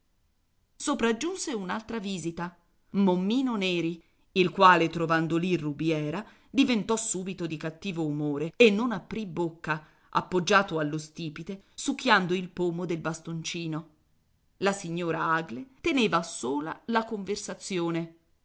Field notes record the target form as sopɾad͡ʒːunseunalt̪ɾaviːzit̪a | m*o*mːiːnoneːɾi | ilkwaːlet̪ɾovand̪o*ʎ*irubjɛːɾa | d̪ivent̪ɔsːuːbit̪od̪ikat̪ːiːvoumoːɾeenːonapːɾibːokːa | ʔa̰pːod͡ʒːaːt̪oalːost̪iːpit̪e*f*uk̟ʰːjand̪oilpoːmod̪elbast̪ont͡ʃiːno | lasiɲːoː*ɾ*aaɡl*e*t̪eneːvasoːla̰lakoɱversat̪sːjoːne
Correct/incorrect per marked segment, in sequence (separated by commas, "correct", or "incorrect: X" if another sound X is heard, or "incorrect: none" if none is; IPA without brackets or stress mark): correct, incorrect: l, incorrect: s, correct, correct